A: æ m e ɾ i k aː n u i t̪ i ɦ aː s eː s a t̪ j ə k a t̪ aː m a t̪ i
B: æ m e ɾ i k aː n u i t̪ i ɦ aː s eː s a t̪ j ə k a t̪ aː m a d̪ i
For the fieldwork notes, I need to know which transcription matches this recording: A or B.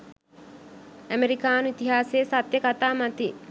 A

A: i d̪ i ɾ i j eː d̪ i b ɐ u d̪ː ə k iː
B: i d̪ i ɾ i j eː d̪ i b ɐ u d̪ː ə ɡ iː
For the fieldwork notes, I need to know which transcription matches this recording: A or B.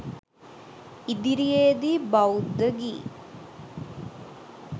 B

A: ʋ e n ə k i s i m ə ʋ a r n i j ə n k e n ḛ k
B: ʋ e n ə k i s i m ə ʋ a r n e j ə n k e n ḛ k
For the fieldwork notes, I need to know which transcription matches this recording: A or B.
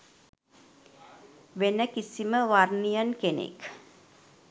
A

